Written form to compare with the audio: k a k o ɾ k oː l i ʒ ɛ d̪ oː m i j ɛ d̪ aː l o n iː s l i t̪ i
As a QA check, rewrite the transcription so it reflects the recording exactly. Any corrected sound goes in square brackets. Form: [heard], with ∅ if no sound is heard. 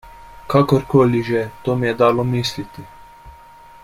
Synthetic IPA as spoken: k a k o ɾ k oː l i ʒ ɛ [t̪] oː m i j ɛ d̪ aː l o [m] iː s l i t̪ i